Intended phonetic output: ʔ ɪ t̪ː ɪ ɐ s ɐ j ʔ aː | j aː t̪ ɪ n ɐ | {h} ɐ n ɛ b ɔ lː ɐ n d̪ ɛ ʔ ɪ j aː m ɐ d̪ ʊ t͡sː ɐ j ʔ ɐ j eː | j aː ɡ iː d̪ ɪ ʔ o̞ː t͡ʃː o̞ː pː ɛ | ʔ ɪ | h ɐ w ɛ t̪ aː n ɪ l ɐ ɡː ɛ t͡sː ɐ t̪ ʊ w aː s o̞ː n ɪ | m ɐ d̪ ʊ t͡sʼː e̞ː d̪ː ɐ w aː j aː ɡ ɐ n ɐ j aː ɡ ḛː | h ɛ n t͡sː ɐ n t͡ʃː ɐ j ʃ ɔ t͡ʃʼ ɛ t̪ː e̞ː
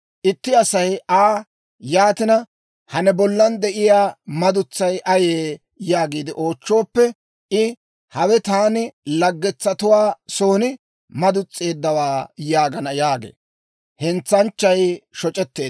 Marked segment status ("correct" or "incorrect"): correct